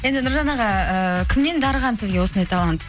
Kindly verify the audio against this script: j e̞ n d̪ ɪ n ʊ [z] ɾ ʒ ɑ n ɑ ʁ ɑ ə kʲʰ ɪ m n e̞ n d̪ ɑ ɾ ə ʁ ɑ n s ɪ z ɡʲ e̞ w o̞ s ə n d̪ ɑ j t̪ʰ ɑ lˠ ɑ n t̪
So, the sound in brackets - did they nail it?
no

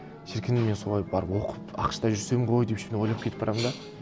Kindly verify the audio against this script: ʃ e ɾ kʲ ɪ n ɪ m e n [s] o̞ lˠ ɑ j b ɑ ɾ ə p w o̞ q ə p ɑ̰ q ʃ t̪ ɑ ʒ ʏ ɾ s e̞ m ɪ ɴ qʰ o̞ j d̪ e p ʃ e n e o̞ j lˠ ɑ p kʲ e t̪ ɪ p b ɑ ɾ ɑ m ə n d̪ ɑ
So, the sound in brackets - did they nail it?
yes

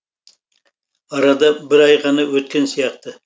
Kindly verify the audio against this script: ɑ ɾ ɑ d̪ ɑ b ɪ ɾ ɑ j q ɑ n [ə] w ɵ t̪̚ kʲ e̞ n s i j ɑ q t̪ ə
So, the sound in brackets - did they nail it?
no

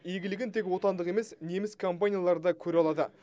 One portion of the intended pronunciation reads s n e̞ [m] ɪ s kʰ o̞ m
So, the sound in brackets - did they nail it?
yes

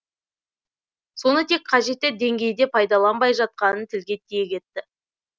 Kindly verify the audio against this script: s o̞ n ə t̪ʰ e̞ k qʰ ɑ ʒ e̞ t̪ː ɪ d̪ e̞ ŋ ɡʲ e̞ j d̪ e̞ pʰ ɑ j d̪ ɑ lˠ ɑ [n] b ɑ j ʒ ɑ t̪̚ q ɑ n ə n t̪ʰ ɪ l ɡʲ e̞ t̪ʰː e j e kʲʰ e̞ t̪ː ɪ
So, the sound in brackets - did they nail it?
yes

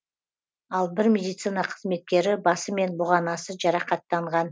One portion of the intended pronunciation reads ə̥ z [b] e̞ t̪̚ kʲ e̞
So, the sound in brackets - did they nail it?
no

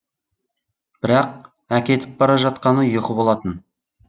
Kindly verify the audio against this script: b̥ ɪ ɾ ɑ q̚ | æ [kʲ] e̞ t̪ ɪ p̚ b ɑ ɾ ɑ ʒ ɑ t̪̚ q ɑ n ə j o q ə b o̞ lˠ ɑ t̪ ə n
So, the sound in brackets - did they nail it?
yes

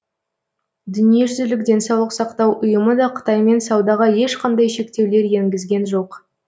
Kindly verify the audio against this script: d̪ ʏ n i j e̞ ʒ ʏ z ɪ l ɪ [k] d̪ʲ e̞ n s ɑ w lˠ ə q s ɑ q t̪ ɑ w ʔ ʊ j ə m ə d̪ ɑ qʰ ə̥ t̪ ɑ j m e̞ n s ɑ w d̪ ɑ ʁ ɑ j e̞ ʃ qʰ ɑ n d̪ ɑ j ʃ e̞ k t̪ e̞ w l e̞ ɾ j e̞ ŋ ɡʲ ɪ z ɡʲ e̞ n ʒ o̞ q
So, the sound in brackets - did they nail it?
yes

